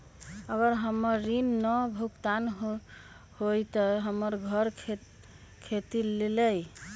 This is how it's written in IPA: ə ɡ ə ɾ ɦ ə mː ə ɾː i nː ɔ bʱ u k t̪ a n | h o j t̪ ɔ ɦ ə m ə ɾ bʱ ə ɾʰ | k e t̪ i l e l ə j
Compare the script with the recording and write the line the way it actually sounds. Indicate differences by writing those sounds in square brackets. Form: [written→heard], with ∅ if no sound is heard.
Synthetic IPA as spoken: ə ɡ ə ɾ ɦ ə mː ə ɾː i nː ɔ bʱ u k t̪ a n | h o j t̪ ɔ ɦ ə m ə ɾ [bʱ→ɡʱ] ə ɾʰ | [k→kʰ] e t̪ i l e l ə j